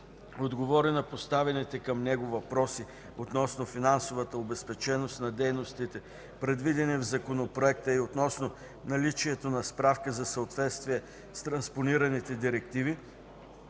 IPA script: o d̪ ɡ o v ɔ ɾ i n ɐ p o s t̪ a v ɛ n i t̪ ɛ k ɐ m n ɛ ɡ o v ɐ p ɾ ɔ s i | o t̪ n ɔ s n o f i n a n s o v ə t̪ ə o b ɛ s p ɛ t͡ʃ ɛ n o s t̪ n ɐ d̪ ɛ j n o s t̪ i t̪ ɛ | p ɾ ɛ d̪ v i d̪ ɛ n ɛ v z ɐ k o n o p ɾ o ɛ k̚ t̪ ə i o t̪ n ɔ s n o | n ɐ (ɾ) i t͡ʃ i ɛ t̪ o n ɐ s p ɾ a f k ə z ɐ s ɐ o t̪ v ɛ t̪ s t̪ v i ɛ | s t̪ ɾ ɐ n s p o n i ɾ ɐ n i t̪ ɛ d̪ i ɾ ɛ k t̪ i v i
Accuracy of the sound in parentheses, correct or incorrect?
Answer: incorrect